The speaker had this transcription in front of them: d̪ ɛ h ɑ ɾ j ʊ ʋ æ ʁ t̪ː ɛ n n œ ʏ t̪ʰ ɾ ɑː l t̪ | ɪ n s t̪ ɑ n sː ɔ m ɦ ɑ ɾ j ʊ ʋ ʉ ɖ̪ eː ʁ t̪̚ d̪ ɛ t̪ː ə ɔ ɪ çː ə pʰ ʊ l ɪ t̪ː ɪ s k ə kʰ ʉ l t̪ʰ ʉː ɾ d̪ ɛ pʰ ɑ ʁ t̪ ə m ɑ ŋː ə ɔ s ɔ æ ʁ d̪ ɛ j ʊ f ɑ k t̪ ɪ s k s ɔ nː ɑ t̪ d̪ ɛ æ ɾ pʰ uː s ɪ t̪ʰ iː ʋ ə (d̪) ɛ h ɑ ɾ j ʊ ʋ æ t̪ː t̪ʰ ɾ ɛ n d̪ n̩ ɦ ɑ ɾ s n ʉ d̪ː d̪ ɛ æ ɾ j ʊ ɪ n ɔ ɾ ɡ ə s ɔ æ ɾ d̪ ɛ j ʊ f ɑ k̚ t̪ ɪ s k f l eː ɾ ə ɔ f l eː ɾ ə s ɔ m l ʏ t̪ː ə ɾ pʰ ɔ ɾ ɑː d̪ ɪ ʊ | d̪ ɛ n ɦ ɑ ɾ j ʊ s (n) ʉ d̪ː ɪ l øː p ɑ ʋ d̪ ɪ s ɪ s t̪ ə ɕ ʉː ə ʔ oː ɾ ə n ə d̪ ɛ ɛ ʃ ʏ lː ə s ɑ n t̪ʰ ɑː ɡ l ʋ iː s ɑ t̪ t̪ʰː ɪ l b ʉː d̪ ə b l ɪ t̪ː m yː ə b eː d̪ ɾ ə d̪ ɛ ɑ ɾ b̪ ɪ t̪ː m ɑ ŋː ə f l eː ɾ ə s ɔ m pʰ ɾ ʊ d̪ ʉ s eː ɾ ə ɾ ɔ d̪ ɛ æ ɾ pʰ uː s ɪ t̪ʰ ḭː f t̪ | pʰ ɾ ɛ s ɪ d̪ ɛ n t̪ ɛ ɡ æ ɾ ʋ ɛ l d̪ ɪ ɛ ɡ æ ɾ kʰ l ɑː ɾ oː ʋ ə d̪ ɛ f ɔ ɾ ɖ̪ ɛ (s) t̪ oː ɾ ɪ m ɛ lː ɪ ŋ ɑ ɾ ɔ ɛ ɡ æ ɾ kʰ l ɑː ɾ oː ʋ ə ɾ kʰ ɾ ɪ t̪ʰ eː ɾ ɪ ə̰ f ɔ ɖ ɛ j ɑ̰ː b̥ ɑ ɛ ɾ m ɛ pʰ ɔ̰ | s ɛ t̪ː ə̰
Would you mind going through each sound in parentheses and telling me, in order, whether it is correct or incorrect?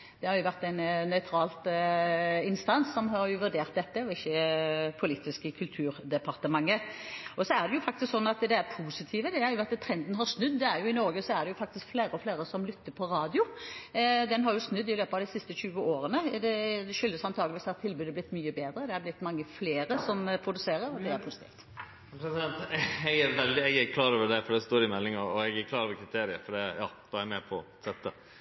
correct, correct, correct

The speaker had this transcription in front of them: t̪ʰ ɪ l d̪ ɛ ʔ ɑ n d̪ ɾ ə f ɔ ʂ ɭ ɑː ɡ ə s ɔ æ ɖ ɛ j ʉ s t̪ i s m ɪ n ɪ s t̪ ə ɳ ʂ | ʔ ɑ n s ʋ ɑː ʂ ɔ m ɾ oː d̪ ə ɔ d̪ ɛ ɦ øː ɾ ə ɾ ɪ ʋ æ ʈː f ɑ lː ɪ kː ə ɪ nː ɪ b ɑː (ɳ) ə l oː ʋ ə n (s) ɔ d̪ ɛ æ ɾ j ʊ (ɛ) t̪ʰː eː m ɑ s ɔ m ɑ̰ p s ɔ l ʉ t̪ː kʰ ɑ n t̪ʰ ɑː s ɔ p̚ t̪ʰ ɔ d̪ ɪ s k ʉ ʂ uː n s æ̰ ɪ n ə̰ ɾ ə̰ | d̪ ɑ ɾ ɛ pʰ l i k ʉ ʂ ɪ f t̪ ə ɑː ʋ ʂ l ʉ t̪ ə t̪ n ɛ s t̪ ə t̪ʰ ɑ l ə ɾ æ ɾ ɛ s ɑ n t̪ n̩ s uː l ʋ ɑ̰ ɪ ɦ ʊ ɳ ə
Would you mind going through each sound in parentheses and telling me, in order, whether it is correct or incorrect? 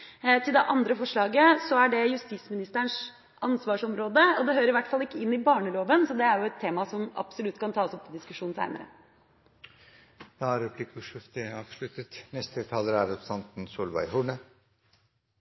correct, correct, correct

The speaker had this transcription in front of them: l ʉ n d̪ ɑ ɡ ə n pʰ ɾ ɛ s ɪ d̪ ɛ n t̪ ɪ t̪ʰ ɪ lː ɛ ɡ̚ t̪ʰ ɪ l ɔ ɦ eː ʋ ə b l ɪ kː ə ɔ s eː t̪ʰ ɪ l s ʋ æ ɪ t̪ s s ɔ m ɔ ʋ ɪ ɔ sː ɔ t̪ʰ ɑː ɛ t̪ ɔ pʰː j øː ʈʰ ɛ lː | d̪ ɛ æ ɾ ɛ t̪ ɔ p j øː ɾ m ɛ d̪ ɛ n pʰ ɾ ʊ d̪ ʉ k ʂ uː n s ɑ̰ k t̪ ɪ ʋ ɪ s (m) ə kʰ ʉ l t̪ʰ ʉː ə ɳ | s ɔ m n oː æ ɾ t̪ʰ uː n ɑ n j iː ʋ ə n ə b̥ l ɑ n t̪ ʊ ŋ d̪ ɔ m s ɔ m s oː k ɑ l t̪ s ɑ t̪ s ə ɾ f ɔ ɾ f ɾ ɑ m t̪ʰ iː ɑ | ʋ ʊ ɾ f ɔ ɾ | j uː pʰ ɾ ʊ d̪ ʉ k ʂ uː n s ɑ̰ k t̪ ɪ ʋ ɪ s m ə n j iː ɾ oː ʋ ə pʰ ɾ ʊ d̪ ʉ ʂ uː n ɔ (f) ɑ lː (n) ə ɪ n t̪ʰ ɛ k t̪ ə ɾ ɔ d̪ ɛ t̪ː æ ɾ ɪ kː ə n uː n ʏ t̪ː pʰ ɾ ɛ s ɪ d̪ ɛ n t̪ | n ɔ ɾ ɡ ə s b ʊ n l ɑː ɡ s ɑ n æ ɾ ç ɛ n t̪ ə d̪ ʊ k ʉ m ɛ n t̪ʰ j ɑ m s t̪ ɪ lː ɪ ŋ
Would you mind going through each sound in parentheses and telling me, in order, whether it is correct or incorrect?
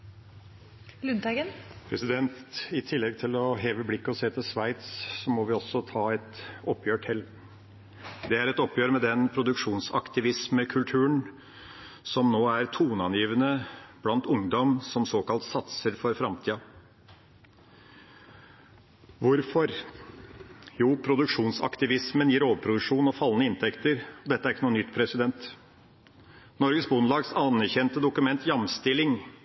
correct, correct, correct

